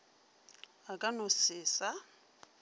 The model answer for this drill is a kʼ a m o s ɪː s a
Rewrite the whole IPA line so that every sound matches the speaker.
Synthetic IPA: a kʼ a n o s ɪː s a

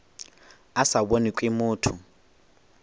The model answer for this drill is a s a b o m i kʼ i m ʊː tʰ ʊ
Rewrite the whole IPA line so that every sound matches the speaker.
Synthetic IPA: a s a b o n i kʼ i m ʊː tʰ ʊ

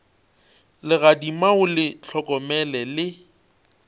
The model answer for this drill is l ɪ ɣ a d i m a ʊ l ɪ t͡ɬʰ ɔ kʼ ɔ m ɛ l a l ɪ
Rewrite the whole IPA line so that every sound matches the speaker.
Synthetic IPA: l ɪ ɣ a d i m a ʊ l ɪ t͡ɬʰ ɔ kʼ ɔ m ɛ l ɛ l ɪ

